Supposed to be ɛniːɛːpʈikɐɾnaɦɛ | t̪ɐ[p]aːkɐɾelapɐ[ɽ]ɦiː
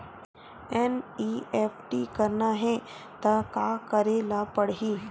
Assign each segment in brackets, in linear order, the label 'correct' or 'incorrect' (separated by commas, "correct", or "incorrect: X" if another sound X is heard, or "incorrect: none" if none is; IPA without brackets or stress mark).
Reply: incorrect: k, correct